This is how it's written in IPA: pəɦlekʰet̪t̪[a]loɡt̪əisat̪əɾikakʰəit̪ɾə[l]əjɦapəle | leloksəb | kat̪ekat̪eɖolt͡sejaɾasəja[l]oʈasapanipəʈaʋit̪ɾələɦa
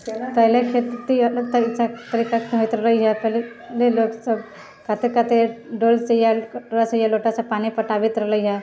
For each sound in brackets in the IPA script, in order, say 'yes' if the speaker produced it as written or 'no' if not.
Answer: no, yes, yes

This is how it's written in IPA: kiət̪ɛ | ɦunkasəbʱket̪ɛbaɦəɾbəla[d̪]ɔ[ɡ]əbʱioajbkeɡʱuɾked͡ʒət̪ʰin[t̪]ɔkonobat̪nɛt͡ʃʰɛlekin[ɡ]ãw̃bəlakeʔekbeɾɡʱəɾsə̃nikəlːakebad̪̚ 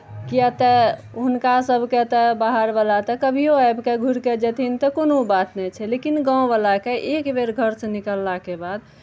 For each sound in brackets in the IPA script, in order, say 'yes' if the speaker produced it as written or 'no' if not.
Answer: no, no, yes, yes

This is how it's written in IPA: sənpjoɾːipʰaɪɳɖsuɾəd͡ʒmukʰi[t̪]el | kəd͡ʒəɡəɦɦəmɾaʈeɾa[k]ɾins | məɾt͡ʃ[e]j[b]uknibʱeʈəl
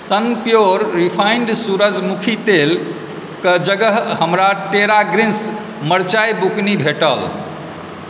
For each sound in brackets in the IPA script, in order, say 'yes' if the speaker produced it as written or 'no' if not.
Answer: yes, no, no, yes

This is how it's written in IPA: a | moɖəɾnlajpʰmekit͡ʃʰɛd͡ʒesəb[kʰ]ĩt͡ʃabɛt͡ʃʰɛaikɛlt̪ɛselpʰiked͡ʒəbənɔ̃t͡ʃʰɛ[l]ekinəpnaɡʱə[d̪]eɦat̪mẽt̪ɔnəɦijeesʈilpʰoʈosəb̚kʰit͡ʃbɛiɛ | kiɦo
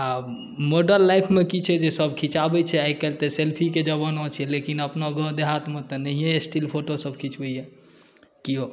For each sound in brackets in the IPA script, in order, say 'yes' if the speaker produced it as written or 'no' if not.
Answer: yes, yes, yes

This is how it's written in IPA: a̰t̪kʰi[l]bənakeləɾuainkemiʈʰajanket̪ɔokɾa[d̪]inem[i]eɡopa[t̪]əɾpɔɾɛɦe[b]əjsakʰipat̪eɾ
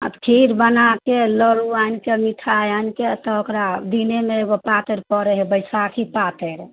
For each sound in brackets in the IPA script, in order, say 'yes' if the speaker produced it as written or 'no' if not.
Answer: no, yes, no, yes, yes

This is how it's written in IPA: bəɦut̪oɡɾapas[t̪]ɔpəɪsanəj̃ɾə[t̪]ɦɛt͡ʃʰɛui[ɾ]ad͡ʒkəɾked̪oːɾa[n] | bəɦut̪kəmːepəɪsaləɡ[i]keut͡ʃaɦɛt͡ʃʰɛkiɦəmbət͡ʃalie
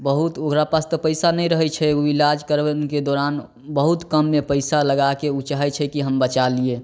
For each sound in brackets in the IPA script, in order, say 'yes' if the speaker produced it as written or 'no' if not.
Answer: yes, no, no, yes, no

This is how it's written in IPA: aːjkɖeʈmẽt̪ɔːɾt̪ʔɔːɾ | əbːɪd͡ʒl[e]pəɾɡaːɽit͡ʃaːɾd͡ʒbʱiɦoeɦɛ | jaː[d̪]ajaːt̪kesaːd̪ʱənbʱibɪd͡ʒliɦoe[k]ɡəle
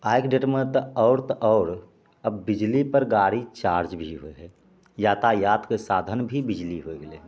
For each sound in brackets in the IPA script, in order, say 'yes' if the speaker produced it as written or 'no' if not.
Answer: no, no, no

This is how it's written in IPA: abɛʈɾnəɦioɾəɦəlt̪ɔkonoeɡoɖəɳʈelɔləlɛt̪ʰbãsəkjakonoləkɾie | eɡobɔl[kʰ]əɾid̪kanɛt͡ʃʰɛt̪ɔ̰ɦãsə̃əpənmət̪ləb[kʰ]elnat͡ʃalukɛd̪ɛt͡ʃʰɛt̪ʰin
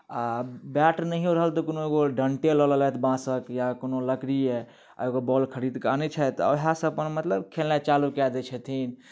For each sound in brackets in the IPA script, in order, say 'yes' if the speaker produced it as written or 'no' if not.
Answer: yes, yes

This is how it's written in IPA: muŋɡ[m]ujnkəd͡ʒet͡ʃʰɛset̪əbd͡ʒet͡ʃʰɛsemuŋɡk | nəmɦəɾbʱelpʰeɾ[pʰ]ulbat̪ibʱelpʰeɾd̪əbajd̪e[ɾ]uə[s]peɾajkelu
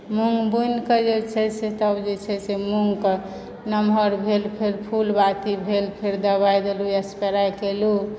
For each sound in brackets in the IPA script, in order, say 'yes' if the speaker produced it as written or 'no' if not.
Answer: no, yes, no, yes

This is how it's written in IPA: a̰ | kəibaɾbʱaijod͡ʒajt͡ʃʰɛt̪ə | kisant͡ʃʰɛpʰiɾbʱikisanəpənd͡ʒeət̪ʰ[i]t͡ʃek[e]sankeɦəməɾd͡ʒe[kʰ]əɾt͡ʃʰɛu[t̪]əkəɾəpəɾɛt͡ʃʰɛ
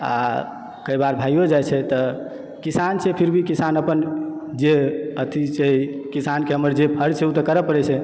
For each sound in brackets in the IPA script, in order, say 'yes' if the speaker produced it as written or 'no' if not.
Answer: yes, no, no, yes

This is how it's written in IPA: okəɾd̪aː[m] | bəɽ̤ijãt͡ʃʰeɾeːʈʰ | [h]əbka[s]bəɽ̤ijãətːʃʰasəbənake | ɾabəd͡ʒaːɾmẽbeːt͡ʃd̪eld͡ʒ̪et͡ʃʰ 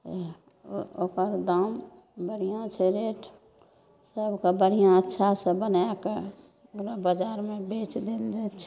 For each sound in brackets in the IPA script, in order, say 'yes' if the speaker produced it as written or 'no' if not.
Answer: yes, no, no

